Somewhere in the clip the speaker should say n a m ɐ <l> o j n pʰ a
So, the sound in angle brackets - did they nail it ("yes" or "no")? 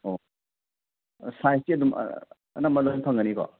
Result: yes